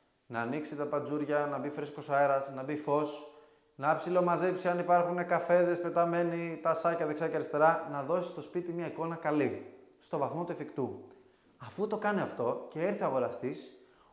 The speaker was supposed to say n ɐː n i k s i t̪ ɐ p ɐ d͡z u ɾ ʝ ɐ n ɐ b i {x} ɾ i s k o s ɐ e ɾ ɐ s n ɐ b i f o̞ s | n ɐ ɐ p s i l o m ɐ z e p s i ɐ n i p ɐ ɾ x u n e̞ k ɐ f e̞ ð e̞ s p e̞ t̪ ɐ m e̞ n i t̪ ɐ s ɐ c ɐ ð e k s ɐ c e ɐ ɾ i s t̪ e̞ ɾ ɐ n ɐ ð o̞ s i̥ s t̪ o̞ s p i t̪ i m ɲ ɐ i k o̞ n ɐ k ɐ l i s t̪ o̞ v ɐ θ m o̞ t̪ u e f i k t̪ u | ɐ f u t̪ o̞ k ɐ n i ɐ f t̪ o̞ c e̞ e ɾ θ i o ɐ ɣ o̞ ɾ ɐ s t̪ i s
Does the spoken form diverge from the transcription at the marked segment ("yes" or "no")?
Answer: yes